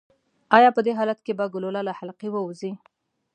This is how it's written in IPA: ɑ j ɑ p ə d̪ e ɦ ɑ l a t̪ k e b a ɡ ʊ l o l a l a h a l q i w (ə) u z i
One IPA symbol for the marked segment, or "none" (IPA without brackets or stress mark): ə